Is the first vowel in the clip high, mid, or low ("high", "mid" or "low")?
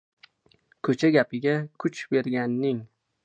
mid